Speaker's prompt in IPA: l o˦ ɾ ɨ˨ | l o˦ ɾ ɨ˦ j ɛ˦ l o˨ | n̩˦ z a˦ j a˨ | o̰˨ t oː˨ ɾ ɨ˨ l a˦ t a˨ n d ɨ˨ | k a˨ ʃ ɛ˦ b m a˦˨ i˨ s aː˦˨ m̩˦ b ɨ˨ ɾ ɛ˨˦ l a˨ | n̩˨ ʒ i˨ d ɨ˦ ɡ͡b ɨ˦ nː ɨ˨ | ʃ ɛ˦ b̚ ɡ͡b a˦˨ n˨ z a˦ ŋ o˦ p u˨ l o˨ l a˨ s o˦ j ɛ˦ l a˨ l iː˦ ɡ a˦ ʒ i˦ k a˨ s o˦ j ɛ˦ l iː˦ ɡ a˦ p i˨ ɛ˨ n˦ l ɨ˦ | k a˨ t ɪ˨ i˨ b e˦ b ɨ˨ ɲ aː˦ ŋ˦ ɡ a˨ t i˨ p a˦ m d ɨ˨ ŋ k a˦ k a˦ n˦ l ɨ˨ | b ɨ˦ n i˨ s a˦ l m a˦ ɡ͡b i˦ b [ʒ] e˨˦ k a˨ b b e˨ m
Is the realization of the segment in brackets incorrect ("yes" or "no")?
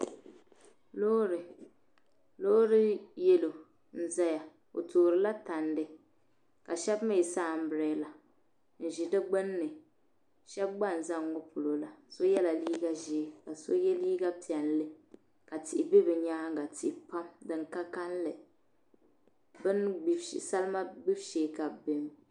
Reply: yes